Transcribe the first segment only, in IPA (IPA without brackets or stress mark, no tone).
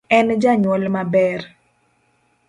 ɛ